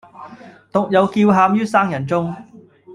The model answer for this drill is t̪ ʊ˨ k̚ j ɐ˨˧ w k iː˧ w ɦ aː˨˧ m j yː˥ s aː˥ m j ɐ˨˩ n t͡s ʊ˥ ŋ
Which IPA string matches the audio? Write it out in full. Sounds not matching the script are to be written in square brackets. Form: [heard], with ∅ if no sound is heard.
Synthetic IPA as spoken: t̪ ʊ˨ k̚ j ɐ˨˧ w k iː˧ w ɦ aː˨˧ m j yː˥ s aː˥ [ŋ] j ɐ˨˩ n t͡s ʊ˥ ŋ